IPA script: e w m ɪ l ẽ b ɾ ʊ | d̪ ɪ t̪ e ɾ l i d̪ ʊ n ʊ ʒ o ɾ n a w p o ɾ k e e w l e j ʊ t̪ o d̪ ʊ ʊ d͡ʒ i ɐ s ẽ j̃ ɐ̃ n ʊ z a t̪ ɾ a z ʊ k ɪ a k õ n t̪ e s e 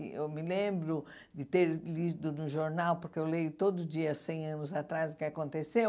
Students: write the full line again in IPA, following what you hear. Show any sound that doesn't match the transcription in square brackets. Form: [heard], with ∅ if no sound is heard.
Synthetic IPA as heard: e w m ɪ l ẽ b ɾ ʊ | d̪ ɪ t̪ e ɾ l i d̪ ʊ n ʊ ʒ o ɾ n a w p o ɾ k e e w l e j ʊ t̪ o d̪ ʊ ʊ d͡ʒ i ɐ s ẽ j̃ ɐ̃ n ʊ z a t̪ ɾ a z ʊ k ɪ a k õ n t̪ e s e